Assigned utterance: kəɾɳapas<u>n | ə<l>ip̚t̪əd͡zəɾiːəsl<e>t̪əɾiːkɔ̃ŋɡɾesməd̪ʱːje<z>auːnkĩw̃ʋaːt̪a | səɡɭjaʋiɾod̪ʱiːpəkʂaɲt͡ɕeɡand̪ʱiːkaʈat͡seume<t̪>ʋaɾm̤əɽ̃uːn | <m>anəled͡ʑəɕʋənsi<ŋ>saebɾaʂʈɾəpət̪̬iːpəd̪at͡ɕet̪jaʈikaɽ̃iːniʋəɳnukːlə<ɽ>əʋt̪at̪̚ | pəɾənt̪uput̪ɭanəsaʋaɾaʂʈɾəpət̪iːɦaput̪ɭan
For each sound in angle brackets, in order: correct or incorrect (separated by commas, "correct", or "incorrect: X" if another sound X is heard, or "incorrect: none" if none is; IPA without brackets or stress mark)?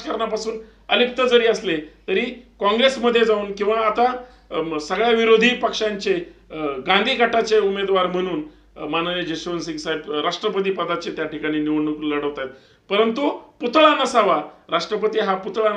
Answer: incorrect: uː, correct, correct, incorrect: d͡z, incorrect: d̪, correct, correct, correct